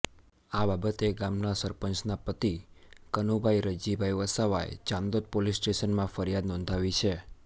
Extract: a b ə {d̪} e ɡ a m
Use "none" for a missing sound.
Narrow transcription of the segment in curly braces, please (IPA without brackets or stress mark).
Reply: t̪